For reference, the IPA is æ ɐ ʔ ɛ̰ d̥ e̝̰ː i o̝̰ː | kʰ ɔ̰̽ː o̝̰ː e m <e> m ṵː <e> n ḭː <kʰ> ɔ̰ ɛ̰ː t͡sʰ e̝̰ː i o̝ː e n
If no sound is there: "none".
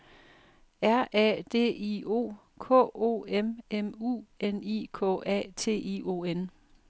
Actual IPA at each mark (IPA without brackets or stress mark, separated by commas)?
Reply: e, e, kʰ